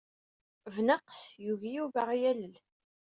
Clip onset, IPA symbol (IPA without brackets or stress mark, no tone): v